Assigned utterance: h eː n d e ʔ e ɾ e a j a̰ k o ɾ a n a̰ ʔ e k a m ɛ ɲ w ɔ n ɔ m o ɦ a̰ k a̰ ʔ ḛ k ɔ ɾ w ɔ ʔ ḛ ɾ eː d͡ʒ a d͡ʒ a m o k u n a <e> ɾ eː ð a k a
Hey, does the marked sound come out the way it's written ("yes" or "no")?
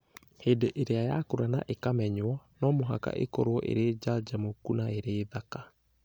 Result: yes